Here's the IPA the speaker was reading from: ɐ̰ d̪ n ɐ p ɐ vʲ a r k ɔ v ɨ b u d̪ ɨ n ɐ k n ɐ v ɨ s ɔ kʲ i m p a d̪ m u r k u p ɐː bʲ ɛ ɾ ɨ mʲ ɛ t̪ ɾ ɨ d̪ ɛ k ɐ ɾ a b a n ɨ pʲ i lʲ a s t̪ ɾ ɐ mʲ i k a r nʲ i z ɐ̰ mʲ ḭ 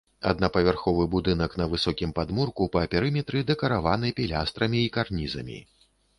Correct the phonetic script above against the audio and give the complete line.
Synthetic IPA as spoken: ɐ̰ d̪ n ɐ p ɐ vʲ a r x ɔ v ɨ b u d̪ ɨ n ɐ k n ɐ v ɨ s ɔ kʲ i m p a d̪ m u r k u p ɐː pʲ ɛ ɾ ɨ mʲ ɛ t̪ ɾ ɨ d̪ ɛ k ɐ ɾ a v a n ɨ pʲ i lʲ a s t̪ ɾ ɐ mʲ iː k a r nʲ i z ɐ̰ mʲ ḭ